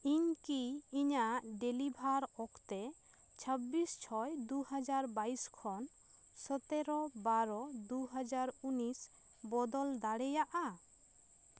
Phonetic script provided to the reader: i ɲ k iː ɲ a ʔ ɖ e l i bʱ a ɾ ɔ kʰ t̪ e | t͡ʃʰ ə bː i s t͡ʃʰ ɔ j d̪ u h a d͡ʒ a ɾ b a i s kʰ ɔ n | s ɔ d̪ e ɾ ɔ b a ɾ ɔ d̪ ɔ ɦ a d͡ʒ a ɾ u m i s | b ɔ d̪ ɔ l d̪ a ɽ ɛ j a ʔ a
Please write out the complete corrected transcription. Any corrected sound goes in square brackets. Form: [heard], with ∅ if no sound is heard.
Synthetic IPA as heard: i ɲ k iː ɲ a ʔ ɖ e l i bʱ a ɾ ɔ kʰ t̪ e | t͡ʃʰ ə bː i s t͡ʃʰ ɔ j d̪ u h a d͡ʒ a ɾ b a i s kʰ ɔ n | s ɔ [t̪] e ɾ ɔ b a ɾ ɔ d̪ [u] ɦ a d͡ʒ a ɾ u [n] i s | b ɔ d̪ ɔ l d̪ a ɽ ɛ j a ʔ a